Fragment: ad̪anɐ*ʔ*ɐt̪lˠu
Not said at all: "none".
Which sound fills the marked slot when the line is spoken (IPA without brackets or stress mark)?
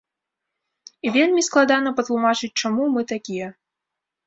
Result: p